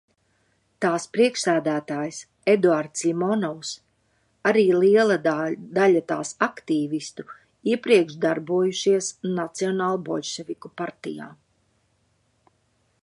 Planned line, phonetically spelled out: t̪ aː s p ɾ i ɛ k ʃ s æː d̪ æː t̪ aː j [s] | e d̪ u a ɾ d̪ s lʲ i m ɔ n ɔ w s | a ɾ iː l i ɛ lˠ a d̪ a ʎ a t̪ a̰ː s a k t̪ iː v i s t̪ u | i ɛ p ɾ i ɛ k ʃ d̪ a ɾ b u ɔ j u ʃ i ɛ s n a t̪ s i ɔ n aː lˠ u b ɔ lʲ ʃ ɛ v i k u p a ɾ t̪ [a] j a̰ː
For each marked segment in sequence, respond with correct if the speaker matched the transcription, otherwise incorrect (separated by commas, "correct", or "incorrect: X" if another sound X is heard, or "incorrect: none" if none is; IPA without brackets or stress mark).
correct, incorrect: i